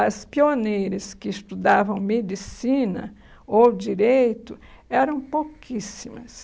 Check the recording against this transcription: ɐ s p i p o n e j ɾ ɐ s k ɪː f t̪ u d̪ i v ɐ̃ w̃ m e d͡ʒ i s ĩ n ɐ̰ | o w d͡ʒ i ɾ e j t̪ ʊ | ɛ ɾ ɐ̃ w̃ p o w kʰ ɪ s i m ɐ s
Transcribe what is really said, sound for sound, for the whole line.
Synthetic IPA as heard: ɐ s p i o n e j ɾ ɐ s k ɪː s t̪ u d̪ a v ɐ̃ w̃ m e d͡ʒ i s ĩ n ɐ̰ | o w d͡ʒ i ɾ e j t̪ ʊ | ɛ ɾ ɐ̃ w̃ p o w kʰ i s i m ɐ s